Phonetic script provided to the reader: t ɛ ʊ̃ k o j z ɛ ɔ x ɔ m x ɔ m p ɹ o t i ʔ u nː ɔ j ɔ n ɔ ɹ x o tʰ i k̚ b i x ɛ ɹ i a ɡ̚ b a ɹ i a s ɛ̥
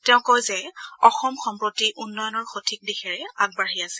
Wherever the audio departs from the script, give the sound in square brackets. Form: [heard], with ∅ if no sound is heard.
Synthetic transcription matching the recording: t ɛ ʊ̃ k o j z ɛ ɔ x ɔ m x ɔ m p ɹ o t i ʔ u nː ɔ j ɔ n ɔ ɹ x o tʰ i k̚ [d] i x ɛ ɹ [ɛ] a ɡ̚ b a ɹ i a s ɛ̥